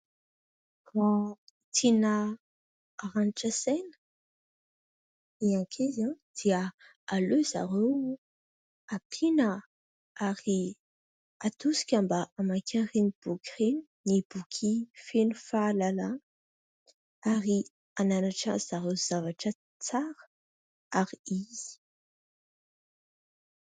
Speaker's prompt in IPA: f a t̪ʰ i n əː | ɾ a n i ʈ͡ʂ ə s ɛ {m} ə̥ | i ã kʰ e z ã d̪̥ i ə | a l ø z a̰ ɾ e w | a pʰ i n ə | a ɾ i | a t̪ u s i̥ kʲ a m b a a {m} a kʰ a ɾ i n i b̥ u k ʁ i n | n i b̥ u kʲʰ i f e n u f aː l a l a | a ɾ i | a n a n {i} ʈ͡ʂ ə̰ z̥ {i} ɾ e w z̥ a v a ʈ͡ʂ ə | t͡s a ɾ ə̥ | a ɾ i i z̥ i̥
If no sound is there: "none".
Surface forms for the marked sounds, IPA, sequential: n, m, a, a

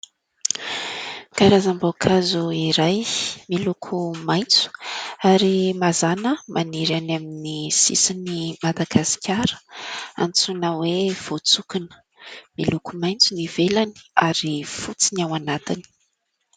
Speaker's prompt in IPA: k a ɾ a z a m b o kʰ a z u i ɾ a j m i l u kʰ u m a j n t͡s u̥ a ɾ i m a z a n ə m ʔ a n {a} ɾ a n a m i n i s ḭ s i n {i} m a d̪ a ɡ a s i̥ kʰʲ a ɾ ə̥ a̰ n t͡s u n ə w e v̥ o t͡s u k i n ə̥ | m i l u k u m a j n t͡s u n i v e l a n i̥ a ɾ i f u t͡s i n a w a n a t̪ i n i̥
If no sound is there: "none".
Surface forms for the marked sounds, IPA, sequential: i, i

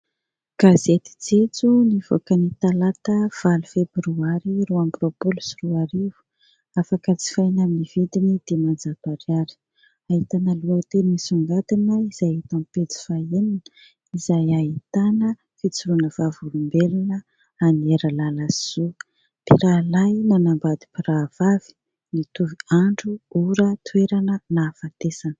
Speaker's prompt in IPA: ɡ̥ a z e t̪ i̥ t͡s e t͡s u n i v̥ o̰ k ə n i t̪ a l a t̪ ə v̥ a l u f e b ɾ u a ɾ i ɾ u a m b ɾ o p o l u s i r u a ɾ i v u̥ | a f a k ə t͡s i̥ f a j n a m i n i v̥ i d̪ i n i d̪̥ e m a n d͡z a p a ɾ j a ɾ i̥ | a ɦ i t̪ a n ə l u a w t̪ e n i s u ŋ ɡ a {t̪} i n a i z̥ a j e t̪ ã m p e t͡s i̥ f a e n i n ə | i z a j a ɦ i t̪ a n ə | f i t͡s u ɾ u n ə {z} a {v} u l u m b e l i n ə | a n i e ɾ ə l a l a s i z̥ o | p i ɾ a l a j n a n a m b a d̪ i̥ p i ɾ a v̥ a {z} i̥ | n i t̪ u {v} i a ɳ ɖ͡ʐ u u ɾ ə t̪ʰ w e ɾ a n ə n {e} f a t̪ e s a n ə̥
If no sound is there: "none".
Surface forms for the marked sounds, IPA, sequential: t̪, v, v, v, v, a

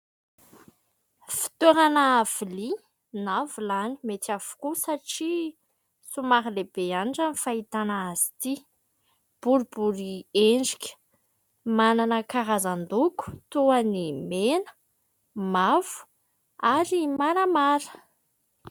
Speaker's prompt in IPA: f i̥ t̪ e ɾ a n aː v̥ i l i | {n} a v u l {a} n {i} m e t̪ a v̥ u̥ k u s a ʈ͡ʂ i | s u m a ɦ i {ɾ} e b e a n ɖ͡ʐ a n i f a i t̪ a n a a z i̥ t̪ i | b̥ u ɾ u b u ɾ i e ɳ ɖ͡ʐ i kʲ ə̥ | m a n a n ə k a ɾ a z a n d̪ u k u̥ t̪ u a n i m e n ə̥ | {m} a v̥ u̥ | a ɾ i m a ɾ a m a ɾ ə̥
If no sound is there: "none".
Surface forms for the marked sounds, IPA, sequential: n, a, i, l, m

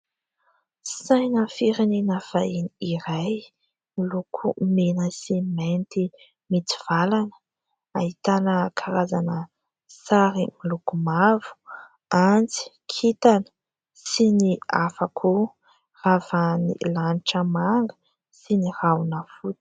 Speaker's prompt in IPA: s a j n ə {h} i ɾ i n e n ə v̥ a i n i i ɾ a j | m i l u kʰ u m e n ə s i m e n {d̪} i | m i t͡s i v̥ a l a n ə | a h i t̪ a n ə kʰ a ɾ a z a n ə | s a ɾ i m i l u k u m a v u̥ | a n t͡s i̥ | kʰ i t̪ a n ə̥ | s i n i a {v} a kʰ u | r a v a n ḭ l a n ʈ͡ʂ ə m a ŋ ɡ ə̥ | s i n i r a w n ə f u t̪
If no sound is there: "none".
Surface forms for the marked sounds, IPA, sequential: f, t̪, f

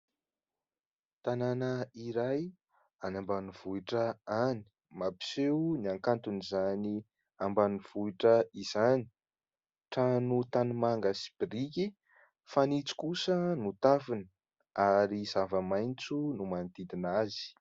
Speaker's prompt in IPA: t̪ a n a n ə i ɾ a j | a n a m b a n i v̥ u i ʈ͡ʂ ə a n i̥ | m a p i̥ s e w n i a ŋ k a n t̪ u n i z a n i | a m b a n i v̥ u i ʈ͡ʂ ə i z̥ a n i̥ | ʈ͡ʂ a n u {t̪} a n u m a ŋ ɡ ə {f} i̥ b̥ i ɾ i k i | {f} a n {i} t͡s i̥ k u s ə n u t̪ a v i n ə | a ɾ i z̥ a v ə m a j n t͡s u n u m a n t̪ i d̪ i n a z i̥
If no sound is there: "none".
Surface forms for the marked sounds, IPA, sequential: t̪, s, f, i

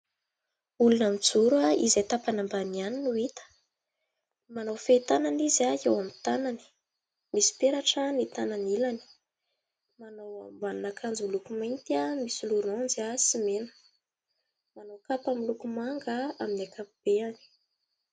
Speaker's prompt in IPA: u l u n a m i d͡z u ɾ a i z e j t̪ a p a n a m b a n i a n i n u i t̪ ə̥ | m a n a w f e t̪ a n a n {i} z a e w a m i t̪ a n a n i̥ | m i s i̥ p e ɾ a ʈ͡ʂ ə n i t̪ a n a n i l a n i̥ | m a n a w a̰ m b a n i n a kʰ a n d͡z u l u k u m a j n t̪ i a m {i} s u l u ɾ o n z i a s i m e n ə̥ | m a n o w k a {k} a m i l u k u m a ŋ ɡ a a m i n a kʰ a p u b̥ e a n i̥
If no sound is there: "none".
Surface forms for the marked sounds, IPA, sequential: i, i, p

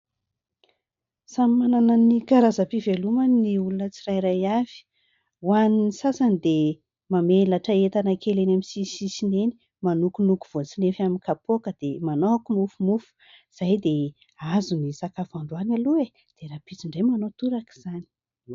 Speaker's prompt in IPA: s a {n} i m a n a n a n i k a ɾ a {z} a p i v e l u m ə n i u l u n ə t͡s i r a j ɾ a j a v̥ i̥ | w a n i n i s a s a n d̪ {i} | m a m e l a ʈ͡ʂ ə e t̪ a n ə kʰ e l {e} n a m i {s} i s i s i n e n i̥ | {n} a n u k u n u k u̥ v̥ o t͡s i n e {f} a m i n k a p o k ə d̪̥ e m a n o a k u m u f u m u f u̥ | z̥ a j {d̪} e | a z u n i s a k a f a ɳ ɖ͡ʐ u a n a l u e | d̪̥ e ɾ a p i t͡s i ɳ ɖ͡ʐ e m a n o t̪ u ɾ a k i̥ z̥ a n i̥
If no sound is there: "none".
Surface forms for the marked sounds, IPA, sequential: m, z, e, e, s, m, f, d̪

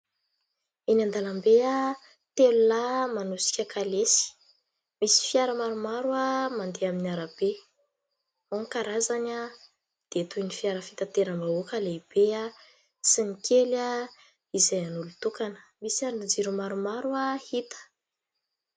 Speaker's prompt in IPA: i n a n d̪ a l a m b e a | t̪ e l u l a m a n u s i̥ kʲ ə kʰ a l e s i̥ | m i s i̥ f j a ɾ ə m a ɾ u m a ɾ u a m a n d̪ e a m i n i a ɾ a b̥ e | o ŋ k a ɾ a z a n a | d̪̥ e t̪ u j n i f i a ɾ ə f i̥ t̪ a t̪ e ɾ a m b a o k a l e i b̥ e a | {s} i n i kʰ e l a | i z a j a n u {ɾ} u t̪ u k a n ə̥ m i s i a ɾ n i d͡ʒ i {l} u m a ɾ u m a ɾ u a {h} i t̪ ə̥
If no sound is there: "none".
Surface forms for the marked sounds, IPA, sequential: s, l, ɾ, h

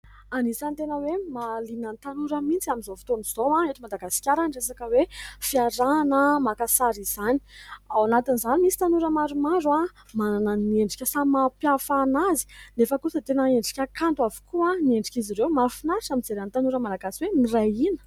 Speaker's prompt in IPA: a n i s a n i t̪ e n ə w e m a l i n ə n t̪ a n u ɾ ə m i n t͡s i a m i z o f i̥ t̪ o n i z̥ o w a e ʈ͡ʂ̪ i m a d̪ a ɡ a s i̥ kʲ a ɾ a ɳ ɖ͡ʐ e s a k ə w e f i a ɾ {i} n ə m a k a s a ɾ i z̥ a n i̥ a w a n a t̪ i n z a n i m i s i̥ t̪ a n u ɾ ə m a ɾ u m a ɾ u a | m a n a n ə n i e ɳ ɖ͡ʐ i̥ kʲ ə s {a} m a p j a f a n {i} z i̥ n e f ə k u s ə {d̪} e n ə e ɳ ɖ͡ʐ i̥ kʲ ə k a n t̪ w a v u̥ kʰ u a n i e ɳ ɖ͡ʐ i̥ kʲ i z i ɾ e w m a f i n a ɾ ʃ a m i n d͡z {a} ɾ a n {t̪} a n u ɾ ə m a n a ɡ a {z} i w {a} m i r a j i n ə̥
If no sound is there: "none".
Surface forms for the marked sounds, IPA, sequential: a, a, a, t̪, e, t̪, s, e

